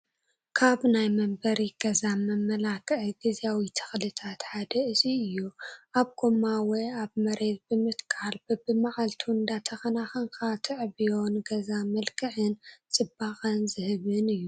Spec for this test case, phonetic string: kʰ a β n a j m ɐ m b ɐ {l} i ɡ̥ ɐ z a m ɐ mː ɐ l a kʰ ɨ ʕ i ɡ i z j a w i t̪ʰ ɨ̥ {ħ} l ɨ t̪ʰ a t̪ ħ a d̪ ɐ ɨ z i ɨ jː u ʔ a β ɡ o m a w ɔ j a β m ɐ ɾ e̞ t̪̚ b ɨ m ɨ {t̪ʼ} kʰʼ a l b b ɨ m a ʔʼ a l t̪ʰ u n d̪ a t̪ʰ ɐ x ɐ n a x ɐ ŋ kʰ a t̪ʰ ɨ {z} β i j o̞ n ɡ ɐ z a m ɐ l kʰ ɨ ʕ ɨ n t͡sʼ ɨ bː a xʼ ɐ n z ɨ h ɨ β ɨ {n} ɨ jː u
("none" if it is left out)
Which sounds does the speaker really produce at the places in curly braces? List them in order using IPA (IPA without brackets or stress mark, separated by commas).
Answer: ɾ, x, t̪, ʕ, n